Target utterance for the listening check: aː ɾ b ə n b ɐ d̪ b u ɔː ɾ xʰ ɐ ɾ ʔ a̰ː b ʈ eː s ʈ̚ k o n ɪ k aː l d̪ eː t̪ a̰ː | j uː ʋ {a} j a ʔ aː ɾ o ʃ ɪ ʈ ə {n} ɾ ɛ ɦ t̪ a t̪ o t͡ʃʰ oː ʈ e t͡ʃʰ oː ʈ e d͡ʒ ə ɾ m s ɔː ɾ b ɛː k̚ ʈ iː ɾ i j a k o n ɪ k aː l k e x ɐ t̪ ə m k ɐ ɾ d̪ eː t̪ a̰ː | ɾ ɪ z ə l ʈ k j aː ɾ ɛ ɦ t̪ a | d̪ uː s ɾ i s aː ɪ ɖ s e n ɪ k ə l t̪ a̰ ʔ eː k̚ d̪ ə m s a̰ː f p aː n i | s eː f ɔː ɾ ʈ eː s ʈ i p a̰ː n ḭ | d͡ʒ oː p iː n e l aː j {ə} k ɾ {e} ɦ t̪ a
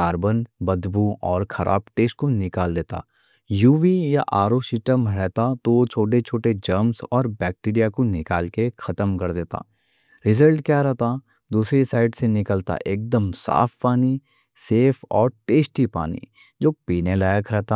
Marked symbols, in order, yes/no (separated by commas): no, no, yes, no